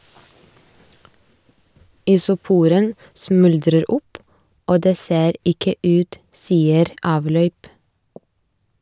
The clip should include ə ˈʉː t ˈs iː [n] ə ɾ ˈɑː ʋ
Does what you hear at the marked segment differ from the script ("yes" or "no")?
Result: yes